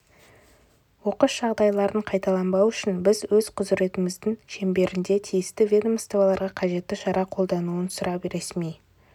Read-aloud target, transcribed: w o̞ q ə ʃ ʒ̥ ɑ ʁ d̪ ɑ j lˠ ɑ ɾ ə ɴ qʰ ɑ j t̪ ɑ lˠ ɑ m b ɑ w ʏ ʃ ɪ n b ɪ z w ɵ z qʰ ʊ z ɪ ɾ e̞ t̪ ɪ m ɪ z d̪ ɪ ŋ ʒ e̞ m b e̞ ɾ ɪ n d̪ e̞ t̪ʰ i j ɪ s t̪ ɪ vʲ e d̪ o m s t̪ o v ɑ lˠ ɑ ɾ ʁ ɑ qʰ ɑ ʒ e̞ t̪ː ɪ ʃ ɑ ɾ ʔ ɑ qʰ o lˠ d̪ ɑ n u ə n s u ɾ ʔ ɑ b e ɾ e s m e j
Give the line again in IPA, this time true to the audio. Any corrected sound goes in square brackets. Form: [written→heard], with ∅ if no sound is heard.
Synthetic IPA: w o̞ q ə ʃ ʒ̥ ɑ ʁ d̪ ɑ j lˠ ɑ ɾ ə ɴ qʰ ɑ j t̪ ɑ lˠ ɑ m b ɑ w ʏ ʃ ɪ n b ɪ z w ɵ z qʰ ʊ z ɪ ɾ e̞ t̪ ɪ m ɪ z d̪ ɪ ŋ [ʒ→ʃ] e̞ m b e̞ ɾ ɪ n d̪ e̞ t̪ʰ i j ɪ s t̪ ɪ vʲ e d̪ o m s t̪ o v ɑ lˠ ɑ ɾ ʁ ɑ qʰ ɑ ʒ e̞ t̪ː ɪ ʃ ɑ ɾ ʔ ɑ qʰ o lˠ d̪ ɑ n u ə n s [u→ʊ] ɾ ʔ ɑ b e ɾ e s m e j